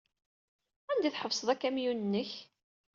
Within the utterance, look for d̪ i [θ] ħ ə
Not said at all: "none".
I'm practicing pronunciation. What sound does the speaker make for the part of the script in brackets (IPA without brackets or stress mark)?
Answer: θ